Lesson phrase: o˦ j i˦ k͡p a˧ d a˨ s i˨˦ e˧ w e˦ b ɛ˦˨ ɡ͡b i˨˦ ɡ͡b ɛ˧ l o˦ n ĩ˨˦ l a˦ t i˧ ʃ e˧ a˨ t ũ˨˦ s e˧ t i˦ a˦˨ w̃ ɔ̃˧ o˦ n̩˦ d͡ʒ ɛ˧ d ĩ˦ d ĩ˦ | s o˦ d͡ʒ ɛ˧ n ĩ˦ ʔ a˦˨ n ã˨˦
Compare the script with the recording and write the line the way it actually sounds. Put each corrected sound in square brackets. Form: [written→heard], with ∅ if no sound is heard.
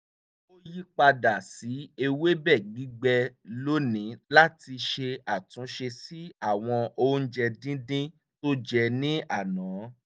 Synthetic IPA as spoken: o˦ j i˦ k͡p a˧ d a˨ s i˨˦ e˧ w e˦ b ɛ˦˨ ɡ͡b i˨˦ ɡ͡b ɛ˧ l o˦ n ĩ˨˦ l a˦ t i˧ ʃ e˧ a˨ t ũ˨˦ [s→ʃ] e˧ [t→s] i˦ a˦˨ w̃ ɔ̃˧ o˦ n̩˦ d͡ʒ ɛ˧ d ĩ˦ d ĩ˦ | [s→t] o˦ d͡ʒ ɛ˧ n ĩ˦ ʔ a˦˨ n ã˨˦

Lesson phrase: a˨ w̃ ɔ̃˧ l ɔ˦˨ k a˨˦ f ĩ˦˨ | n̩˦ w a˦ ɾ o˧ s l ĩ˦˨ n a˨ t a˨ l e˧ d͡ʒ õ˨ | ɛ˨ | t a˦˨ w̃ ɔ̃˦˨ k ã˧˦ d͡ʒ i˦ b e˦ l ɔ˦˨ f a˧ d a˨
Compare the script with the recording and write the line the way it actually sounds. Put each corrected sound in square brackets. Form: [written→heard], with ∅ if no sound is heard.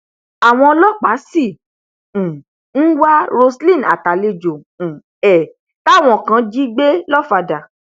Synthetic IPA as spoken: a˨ w̃ ɔ̃˧ l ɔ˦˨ [k→k͡p] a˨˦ [f→s] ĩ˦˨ | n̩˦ w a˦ ɾ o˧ s l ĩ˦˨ n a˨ t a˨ l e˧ d͡ʒ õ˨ | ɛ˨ | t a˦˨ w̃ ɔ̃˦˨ k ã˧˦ d͡ʒ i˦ [b→ɡ͡b] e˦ l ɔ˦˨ f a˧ d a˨

